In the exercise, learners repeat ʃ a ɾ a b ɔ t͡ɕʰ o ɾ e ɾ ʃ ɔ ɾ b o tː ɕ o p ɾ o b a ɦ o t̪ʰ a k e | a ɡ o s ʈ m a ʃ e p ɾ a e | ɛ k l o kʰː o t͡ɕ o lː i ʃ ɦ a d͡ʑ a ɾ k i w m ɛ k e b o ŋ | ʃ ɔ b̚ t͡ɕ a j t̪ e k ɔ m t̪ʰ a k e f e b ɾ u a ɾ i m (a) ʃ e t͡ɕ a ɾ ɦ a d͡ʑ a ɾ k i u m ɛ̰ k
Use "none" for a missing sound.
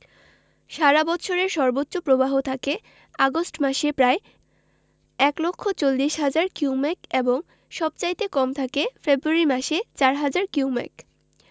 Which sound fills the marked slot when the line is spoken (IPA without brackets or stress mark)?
a